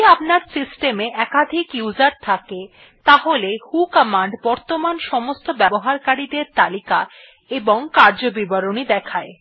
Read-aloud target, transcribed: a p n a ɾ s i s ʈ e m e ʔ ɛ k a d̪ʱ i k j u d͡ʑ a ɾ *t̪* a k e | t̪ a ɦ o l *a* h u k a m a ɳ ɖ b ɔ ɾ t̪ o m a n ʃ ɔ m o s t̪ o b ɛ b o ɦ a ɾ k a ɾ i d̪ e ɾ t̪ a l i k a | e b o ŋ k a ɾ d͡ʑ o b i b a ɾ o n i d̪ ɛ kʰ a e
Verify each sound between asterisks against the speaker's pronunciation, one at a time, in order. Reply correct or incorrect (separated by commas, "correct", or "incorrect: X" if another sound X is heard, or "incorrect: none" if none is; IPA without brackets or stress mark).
incorrect: t̪ʰ, incorrect: e